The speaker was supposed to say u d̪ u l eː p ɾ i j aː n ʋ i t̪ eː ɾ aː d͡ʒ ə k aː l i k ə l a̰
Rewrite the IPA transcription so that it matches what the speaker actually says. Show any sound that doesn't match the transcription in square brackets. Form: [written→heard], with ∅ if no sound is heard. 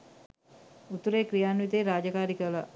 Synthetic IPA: u [d̪→t̪] u [l→ɾ] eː [p→k] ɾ i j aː n ʋ i t̪ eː ɾ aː d͡ʒ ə k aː [l→ɾ] i k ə l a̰